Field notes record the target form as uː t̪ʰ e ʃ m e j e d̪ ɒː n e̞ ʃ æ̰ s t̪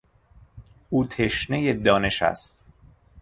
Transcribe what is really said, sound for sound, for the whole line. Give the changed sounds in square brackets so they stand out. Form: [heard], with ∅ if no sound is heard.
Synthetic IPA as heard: uː t̪ʰ e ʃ [n] e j e d̪ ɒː n e̞ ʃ æ̰ s t̪